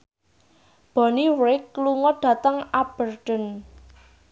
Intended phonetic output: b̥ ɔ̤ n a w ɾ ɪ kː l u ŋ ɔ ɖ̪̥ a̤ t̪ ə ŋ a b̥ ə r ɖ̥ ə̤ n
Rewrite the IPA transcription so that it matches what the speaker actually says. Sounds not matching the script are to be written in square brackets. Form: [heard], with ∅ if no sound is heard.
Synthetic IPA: b̥ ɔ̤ n [i] w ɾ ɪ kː l u ŋ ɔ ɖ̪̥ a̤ t̪ ə ŋ a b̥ ə r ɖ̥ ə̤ n